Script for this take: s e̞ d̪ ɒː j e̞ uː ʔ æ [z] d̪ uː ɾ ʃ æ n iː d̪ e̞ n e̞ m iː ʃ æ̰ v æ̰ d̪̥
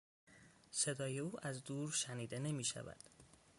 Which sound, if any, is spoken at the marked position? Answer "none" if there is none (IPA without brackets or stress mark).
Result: z